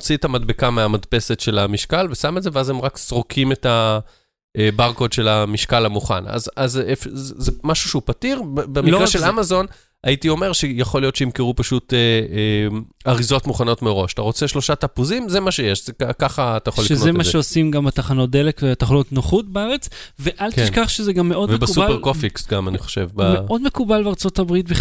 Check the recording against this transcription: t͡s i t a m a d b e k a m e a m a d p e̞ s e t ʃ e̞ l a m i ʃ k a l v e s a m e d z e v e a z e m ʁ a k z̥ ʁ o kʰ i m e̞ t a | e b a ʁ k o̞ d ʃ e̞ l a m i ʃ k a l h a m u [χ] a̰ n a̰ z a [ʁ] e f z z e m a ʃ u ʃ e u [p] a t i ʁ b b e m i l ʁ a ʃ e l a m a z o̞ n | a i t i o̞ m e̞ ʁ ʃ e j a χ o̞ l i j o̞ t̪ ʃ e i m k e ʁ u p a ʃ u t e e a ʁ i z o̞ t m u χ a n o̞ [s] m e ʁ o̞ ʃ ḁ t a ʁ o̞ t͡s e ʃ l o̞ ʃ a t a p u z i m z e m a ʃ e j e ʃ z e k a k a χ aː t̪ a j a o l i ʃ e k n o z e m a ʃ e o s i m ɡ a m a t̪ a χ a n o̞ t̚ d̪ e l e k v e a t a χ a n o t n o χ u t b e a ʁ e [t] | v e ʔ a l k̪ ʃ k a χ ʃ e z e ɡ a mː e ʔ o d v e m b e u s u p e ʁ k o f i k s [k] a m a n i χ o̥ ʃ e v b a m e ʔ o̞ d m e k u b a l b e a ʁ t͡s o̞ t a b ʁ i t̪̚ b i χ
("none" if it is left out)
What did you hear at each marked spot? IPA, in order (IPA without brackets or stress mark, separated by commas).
χ, z, p, t, t͡s, ɡ